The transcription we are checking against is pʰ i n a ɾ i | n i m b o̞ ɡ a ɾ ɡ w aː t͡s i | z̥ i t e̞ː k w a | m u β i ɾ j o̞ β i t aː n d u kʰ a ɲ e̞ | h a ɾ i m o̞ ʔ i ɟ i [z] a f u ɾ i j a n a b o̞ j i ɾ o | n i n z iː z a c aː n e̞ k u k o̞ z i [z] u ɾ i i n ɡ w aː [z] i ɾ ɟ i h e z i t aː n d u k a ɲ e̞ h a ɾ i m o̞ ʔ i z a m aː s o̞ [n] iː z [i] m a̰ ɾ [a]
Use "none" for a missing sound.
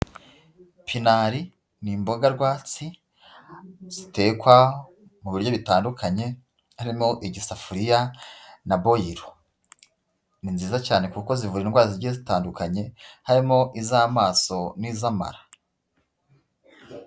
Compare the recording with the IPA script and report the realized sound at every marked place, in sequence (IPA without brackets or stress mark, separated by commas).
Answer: s, v, z, n, a, a